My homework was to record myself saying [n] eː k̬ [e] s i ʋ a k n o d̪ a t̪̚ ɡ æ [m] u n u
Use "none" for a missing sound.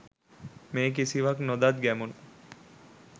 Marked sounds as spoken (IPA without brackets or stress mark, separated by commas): m, i, m